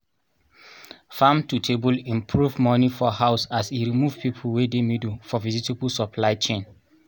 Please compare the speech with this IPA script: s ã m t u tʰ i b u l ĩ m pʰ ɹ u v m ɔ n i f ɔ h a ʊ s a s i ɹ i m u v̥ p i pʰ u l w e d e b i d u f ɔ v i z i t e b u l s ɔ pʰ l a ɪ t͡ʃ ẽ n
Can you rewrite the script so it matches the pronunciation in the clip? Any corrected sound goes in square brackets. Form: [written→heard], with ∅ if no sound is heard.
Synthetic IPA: [s→f] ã m t u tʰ [i→e] b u l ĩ m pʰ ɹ u v m ɔ n i f ɔ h a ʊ s a s i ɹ i m u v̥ p i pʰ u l w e d e [b→m] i d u f ɔ v i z i t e b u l s ɔ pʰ l a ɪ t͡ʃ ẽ n